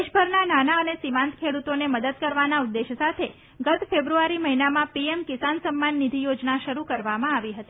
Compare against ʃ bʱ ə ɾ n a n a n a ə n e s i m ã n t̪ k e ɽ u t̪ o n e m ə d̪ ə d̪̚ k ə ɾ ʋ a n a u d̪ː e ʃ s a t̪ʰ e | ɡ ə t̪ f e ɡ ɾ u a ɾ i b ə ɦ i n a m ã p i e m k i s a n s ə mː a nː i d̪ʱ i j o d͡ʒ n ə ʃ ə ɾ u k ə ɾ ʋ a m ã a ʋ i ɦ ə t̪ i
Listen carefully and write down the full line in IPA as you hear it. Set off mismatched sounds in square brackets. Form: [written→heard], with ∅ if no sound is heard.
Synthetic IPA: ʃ bʱ ə ɾ n a n a n a ə n e s i m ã n t̪ [k→kʰ] e ɽ u t̪ o n e m ə d̪ ə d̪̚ k ə ɾ ʋ a n a u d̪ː e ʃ s a t̪ʰ e | ɡ ə t̪ f e [ɡ→b] ɾ u a ɾ i [b→m] ə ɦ i n a m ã p i e m k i s a n s ə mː a nː i d̪ʱ i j o d͡ʒ n [ə→a] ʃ ə ɾ u k ə ɾ ʋ a m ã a ʋ i ɦ ə t̪ i